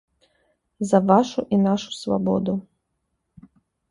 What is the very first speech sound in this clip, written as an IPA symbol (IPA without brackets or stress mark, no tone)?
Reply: z